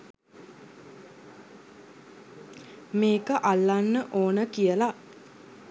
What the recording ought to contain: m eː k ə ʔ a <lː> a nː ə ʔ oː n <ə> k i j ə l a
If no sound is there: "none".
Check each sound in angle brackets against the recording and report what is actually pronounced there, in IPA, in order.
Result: lː, ə

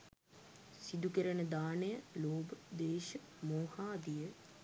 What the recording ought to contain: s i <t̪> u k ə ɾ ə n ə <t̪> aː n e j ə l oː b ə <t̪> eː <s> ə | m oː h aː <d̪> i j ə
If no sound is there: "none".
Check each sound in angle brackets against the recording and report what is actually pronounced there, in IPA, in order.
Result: d̪, d̪, d̪, ʃ, d̪

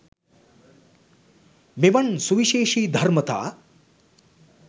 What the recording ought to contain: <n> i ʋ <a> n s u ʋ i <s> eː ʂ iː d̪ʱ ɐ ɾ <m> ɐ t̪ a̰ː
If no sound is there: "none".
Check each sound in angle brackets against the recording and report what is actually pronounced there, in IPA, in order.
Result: m, ɐ, ʃ, m

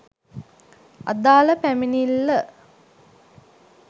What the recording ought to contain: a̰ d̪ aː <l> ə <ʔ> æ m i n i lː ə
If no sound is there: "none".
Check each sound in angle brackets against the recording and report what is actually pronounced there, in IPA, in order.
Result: l, p

